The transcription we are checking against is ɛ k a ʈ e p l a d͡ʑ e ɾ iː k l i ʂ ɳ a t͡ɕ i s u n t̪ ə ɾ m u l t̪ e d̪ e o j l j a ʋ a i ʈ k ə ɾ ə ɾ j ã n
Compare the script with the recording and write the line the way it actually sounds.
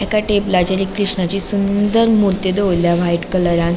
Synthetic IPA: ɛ k a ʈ e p l a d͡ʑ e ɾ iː k ɾ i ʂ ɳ a t͡ɕ i s u n d̪ ə ɾ m u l t̪ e d̪ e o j l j a ʋ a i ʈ k ə l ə ɾ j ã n